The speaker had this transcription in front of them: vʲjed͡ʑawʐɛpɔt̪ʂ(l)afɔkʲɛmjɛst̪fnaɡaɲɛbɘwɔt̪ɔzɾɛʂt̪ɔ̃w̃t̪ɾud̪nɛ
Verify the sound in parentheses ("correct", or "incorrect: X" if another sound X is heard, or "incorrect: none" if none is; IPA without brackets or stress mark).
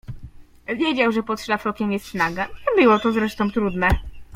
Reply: correct